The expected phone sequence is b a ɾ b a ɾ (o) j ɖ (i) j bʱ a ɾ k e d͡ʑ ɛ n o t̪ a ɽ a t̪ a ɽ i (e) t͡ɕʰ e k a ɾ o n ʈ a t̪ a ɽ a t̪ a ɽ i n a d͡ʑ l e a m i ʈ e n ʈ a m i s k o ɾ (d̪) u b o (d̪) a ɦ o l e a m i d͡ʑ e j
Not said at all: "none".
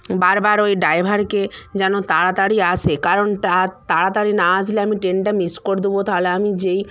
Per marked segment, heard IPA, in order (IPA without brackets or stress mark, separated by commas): o, a, a, d̪, t̪